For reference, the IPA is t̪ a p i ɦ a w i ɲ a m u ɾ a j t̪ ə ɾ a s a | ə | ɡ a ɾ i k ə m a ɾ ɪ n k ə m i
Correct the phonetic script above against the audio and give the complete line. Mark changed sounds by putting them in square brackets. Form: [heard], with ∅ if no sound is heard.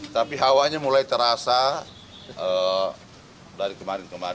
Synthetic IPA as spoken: t̪ a p i ɦ a w [a] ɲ a m u [l] a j t̪ ə ɾ a s a | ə | [d] a ɾ i k ə m a ɾ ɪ n k ə m [a]

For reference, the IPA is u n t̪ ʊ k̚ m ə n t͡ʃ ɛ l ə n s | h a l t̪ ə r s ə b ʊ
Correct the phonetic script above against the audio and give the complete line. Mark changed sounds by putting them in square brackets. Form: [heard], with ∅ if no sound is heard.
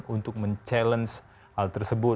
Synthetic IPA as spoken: u n t̪ ʊ k̚ m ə [ɲ] t͡ʃ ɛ l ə n s | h a l t̪ ə r s ə b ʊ

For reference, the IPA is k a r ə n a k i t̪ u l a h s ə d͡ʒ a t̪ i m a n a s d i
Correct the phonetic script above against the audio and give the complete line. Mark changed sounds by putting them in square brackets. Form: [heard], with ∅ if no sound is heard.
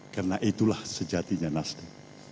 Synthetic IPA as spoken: k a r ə n a [ʔ] i t̪ u l a h s ə d͡ʒ a t̪ i [ɲ] a n a s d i

